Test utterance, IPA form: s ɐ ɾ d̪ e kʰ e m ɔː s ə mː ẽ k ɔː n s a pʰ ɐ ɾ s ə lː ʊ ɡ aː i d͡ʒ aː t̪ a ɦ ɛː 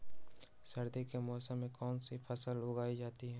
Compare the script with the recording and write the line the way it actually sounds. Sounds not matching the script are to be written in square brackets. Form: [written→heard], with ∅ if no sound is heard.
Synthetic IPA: s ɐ ɾ d̪ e [kʰ→k] e m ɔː s ə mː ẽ k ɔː n s [a→i] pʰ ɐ [ɾ→∅] s ə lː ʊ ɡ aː i d͡ʒ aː t̪ [a→i] ɦ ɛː